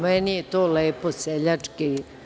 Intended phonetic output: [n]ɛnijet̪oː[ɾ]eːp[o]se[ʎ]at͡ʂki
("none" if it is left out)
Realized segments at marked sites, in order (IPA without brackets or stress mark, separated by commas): m, l, o, ʎ